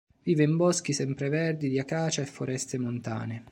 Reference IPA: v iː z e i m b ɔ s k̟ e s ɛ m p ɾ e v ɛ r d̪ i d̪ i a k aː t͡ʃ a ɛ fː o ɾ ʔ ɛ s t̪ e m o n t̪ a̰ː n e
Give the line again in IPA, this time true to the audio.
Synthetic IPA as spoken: v iː v e i m b ɔ s k̟ i s ɛ m p ɾ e v ɛ r d̪ i d̪ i a k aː t͡ʃ a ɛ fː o ɾ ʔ ɛ s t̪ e m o n t̪ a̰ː n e